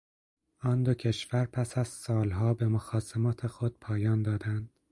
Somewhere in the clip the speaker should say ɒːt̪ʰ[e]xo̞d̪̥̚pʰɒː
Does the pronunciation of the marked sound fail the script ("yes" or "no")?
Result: no